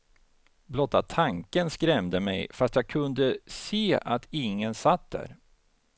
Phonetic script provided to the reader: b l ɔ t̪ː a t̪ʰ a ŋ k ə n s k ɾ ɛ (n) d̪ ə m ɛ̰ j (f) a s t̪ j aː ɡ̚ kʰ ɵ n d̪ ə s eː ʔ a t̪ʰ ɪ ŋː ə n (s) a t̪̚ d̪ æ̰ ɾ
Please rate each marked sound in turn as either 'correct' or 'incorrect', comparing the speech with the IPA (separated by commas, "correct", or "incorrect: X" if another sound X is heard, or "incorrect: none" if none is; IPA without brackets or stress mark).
incorrect: m, correct, correct